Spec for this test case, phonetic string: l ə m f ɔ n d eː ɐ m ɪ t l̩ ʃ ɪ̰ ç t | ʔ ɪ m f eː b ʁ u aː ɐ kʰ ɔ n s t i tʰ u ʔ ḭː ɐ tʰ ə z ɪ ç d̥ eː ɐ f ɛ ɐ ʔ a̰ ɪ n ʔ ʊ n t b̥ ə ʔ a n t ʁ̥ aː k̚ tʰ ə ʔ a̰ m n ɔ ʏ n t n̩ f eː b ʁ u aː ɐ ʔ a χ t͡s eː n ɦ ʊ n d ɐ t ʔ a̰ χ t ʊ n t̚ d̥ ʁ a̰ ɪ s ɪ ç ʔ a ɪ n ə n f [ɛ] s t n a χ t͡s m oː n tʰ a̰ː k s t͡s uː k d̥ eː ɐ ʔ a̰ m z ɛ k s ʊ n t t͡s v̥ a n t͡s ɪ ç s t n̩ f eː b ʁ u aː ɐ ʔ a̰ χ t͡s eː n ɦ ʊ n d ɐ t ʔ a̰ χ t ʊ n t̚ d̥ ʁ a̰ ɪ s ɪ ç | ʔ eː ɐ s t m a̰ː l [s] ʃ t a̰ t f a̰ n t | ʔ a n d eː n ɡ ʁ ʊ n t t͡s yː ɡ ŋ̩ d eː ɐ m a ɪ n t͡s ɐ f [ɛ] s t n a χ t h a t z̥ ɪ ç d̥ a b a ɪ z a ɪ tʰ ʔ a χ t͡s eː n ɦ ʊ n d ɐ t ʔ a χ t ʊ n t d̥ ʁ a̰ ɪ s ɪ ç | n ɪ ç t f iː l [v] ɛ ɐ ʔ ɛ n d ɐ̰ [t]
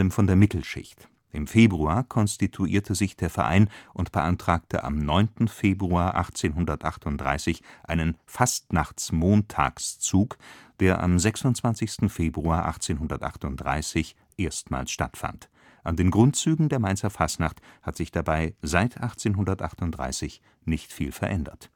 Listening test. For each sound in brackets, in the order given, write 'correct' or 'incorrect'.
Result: incorrect, correct, incorrect, incorrect, correct

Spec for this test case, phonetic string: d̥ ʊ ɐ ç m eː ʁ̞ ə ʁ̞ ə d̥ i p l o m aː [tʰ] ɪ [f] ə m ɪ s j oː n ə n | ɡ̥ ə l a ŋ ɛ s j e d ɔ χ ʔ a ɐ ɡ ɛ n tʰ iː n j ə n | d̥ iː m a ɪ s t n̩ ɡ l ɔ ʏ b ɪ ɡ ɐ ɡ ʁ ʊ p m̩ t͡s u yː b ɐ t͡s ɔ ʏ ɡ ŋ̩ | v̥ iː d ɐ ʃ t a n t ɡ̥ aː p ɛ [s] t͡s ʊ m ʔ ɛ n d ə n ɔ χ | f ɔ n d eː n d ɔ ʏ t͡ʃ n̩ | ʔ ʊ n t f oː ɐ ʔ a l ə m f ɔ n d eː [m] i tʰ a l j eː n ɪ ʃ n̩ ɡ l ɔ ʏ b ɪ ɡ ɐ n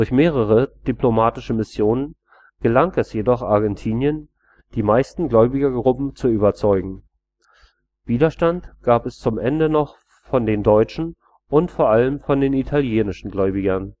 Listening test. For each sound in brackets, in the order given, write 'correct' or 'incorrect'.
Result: incorrect, incorrect, correct, incorrect

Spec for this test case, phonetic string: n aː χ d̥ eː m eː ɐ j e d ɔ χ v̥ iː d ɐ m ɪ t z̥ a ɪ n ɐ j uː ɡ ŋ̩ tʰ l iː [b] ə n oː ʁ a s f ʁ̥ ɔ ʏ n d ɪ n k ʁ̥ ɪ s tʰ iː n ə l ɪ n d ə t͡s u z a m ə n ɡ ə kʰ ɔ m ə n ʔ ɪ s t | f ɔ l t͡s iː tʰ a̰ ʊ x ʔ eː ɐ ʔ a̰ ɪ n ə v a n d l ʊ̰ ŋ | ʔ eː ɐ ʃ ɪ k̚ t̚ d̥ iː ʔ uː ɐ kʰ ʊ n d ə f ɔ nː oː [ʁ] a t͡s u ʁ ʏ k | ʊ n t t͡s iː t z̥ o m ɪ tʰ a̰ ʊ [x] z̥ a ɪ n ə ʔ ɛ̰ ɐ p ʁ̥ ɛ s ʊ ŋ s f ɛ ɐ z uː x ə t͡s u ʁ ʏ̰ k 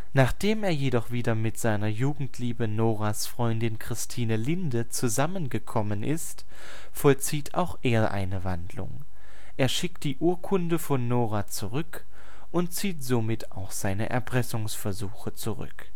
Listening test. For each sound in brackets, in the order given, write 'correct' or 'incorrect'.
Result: correct, correct, correct

